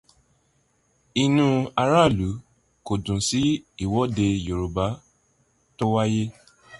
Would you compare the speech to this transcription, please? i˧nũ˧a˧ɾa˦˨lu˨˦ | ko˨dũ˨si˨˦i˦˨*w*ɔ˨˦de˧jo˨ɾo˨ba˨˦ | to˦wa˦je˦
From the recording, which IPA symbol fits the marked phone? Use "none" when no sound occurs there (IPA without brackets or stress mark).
w